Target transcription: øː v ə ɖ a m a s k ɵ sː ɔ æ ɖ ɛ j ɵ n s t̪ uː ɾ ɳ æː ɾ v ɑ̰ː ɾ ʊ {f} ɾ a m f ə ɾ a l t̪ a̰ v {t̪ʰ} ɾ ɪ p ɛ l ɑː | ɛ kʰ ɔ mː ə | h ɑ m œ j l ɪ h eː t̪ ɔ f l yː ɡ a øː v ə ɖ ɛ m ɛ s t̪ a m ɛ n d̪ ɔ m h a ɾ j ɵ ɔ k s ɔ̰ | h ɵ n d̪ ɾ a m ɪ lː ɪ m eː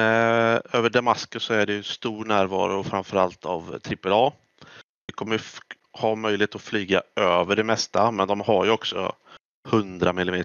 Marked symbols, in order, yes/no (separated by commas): yes, yes